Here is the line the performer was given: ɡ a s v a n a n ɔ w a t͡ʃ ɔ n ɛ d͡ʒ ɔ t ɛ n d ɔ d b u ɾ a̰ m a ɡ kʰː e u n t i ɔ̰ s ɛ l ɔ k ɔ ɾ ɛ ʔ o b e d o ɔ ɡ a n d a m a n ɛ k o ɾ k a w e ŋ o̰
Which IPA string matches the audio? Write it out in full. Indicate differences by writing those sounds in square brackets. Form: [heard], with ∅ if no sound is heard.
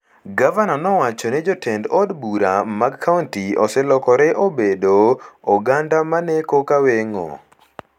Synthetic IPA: ɡ a [∅] v a n a n ɔ w a t͡ʃ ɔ n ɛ d͡ʒ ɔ t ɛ n d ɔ d b u ɾ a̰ m a ɡ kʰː [a] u n t i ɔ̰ s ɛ l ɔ k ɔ ɾ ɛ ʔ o b e d o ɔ ɡ a n d a m a n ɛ k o [∅] k a w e ŋ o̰